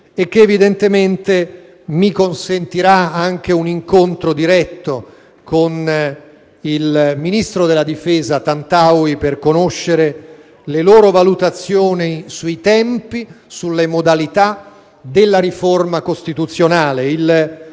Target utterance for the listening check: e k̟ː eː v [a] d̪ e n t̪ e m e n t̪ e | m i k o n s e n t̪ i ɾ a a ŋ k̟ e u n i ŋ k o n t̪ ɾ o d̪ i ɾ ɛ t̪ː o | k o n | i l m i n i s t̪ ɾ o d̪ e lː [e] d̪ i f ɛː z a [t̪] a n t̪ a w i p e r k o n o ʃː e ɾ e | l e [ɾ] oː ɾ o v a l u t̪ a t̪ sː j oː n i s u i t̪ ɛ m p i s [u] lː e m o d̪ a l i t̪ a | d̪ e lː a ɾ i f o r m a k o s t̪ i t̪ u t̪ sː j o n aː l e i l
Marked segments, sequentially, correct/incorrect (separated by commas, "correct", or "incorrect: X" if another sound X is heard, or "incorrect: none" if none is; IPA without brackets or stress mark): incorrect: i, incorrect: a, correct, incorrect: l, correct